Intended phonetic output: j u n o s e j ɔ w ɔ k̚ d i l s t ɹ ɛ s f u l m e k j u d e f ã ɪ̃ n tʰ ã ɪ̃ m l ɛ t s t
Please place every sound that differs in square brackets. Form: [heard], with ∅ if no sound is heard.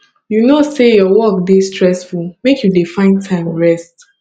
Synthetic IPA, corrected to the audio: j u n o s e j ɔ w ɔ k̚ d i [∅] s t ɹ ɛ s f u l m e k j u d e f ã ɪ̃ n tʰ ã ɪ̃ m [ɹ] ɛ [∅] s t